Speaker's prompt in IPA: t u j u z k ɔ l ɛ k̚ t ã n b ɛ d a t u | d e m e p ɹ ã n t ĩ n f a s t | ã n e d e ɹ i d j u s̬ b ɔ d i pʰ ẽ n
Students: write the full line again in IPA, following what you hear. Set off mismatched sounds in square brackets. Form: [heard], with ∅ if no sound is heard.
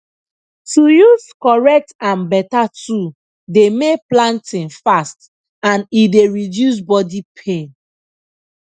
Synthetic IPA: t u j u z k ɔ [ɹ] ɛ k̚ t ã n b ɛ [t] a t u | d e m e p [l] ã n t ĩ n f a s t | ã n [i] d e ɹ i d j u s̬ b ɔ d i pʰ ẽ n